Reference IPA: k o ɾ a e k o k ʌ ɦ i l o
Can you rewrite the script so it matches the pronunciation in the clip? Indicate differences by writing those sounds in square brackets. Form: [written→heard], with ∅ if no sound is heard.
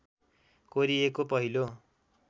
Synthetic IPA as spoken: k o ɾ [a→i] e k o [k→p] ʌ ɦ i l o